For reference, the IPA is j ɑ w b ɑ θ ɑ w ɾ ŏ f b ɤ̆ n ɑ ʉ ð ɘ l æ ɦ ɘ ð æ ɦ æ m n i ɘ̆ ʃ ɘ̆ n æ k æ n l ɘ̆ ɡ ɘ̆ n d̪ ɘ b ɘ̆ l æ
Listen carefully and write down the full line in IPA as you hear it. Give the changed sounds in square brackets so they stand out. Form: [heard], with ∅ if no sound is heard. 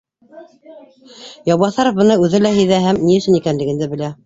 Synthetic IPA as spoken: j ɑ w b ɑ θ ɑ [∅] ɾ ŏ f b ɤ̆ n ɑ ʉ ð ɘ l æ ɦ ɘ ð æ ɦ æ m n i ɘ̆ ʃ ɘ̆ n [i] k æ n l ɘ̆ ɡ ɘ̆ n d̪ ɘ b ɘ̆ l æ